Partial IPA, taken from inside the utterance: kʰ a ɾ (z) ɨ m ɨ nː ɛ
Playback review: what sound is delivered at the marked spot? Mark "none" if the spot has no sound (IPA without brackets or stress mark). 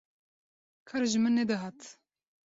ʒ